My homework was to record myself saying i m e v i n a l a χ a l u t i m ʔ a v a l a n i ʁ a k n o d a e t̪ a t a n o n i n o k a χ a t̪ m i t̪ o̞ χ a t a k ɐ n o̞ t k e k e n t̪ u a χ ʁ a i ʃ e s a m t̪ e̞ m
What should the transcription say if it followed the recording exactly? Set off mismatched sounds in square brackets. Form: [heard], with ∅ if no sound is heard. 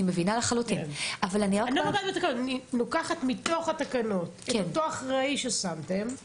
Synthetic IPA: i m e v i n a l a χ a l u t i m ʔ a v a l a n i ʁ a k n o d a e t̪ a [k] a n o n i n o k a χ a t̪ m i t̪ o̞ χ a t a k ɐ n o̞ t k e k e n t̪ [o] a χ ʁ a i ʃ e s a m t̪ e̞ m

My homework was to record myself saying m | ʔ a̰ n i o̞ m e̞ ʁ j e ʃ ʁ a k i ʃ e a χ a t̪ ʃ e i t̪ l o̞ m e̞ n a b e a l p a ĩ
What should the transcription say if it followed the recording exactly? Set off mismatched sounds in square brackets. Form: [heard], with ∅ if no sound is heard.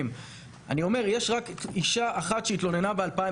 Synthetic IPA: m | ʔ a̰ n i o̞ m e̞ ʁ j e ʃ ʁ a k i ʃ [a] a χ a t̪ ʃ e i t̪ l o̞ [n] e̞ n a b e a l p a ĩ

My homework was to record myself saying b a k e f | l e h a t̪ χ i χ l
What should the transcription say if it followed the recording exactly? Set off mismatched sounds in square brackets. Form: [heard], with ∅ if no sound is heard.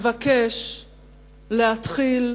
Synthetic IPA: [v] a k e [ʃ] | l e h a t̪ χ i [∅] l

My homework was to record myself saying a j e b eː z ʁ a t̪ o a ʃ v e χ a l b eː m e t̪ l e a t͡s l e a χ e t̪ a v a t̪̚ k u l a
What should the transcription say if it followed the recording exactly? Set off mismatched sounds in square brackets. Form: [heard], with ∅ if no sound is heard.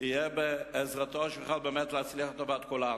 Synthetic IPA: [i] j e b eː z ʁ a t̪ o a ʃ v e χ a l b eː m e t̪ l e a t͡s l [i] a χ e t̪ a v a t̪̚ k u l a

